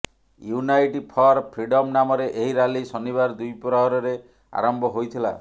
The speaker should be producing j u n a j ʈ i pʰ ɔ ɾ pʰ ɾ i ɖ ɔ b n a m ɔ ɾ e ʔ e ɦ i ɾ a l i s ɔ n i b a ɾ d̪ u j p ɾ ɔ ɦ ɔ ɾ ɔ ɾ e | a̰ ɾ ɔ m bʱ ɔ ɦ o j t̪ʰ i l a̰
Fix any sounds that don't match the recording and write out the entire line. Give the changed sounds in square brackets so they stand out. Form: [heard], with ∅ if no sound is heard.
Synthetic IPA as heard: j u n a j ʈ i pʰ ɔ ɾ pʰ ɾ i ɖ ɔ [m] n a m ɔ ɾ e ʔ e ɦ i ɾ a l i s ɔ n i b a ɾ d̪ u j p ɾ ɔ ɦ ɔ ɾ ɔ ɾ e | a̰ ɾ ɔ m bʱ ɔ ɦ o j t̪ʰ i l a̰

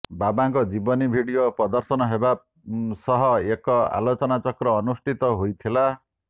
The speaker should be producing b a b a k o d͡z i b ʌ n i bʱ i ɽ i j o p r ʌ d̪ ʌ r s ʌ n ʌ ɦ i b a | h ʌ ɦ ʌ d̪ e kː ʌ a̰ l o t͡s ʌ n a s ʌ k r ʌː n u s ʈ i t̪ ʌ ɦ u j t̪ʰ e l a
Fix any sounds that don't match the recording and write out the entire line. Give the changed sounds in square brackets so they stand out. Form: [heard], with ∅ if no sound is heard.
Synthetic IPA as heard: b a b a k o d͡z i b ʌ n i bʱ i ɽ i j o p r ʌ d̪ ʌ r s ʌ n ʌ ɦ [e] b a | [s] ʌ ɦ ʌ [∅] e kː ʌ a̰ l o t͡s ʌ n a [t͡s] ʌ k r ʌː n u s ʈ i t̪ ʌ ɦ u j t̪ʰ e l a

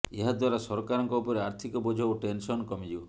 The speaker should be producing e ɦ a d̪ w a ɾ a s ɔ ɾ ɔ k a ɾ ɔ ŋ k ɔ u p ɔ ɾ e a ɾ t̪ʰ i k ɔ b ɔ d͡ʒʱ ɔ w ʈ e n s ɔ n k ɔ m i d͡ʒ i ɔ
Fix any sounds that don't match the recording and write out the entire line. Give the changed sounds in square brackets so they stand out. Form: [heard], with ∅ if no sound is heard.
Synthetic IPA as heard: e ɦ a d̪ w a ɾ a s ɔ ɾ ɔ k a ɾ ɔ ŋ k ɔ u p ɔ ɾ e a ɾ t̪ʰ i k ɔ b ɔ d͡ʒʱ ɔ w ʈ e n s ɔ n k ɔ m i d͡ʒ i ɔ

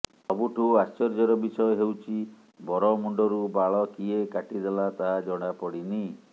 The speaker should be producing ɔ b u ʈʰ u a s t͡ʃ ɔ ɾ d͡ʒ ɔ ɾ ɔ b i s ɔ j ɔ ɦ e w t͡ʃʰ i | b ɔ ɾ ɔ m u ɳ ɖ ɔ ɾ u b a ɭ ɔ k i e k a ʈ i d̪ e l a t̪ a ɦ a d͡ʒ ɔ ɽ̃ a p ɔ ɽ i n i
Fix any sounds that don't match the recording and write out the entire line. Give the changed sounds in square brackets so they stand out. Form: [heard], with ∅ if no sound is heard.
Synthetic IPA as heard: ɔ b u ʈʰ u a s t͡ʃ ɔ ɾ d͡ʒ ɔ ɾ ɔ b i s ɔ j ɔ ɦ e w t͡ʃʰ i | b ɔ ɾ ɔ m u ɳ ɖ ɔ ɾ u b a ɭ ɔ k i e k a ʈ i d̪ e l a t̪ a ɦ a d͡ʒ ɔ ɽ̃ a p ɔ ɽ i n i

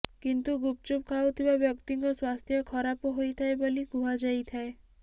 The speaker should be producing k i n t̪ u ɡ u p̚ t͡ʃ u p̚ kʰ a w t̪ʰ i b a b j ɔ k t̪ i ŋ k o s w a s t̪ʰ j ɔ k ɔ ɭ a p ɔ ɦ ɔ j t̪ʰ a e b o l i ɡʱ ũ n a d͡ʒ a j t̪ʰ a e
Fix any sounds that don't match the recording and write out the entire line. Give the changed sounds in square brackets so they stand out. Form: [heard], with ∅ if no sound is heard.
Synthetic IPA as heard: k i n t̪ u ɡ u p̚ t͡ʃ u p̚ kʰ a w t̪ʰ i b a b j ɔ k t̪ i ŋ k [ɔ] s w a s t̪ʰ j ɔ [kʰ] ɔ [ɾ] a p ɔ ɦ [o] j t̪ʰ a e b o l i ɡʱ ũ [∅] a d͡ʒ a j t̪ʰ a e

